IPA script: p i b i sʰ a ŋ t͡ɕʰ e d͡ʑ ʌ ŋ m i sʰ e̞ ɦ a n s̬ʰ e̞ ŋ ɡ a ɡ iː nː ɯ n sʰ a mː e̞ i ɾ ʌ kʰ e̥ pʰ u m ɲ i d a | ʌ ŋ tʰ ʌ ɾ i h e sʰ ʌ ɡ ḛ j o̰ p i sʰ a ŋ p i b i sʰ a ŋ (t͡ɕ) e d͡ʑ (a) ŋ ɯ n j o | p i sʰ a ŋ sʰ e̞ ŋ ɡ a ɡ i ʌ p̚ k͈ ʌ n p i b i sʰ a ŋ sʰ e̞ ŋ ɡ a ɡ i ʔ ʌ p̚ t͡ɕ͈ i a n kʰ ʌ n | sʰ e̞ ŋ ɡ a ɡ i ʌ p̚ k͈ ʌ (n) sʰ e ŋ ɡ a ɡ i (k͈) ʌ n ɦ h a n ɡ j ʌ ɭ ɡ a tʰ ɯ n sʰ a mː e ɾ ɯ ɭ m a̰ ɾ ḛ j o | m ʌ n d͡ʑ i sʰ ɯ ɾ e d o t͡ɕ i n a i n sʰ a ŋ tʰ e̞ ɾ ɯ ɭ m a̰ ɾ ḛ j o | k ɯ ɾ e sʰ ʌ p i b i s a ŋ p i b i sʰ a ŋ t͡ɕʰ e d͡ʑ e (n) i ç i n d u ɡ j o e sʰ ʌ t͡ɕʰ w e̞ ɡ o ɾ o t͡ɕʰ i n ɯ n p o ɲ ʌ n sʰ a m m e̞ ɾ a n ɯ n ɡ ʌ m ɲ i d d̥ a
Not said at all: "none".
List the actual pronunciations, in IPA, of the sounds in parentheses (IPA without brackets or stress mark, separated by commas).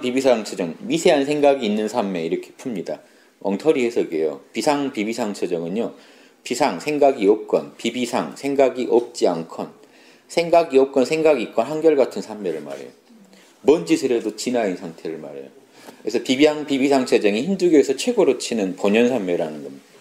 t͡ɕʰ, ʌ, n, k͈, ŋ